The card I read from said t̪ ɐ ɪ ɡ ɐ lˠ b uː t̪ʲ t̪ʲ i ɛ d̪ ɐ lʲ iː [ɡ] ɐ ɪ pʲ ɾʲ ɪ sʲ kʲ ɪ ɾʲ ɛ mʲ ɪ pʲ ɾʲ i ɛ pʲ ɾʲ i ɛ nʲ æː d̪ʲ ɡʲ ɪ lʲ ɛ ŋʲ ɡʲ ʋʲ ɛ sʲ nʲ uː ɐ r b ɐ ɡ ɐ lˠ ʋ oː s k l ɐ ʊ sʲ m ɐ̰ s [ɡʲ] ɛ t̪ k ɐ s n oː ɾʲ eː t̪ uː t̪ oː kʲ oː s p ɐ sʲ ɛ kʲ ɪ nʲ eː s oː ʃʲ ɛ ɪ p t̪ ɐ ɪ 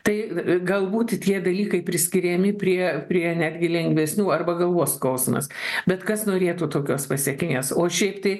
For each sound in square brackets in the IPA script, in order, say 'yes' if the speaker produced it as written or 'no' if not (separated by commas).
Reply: no, no